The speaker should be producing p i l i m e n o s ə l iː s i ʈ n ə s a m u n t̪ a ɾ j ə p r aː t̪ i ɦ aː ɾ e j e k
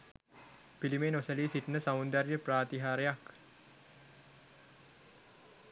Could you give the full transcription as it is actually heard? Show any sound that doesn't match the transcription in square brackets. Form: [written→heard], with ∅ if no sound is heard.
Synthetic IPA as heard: p i l i m e n o s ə l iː s i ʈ n ə s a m u n [t̪→d̪] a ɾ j ə p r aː t̪ i ɦ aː ɾ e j [e→a] k